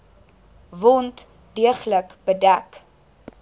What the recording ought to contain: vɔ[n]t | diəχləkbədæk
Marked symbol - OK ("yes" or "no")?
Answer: yes